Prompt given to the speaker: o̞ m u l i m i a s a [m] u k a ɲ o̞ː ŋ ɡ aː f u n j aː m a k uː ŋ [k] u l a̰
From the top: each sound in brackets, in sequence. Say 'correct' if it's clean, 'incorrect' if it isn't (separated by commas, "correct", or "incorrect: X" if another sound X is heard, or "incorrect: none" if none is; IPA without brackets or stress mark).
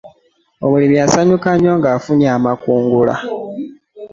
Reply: incorrect: ɲ, incorrect: ɡ